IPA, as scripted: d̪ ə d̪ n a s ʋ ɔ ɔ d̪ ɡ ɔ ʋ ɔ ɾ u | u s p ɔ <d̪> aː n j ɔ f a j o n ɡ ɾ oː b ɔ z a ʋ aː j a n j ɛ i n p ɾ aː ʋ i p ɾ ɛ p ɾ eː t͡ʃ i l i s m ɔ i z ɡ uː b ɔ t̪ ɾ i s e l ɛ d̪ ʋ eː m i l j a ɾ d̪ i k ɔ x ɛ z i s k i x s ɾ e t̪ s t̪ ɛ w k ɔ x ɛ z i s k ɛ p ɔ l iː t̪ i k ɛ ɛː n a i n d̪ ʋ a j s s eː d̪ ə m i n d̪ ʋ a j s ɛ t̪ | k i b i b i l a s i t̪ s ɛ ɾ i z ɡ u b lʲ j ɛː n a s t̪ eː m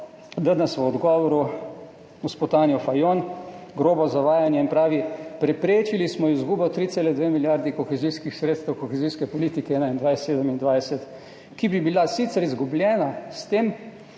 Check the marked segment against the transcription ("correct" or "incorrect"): incorrect